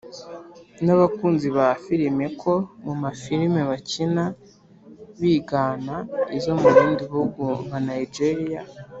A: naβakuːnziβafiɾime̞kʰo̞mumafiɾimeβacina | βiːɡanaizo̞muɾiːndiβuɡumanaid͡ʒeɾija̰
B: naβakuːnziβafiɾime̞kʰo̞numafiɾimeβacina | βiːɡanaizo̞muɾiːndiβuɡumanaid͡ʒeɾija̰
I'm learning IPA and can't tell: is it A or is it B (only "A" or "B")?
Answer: A